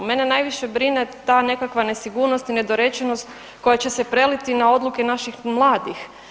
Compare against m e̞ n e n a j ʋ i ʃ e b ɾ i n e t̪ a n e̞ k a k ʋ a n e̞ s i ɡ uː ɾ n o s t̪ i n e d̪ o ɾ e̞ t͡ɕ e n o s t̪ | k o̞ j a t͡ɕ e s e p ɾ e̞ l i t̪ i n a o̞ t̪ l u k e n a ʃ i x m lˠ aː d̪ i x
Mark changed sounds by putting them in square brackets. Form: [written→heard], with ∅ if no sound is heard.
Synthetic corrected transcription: m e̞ n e n a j ʋ i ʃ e b ɾ i n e t̪ a n e̞ k a k ʋ a n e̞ s i ɡ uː ɾ n o s t̪ i n e d̪ o ɾ e̞ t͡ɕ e n o s t̪ | k o̞ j a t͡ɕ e s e p ɾ e̞ l i t̪ i n a o̞ [t̪→d̪] l u k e n a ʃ i x m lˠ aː d̪ i x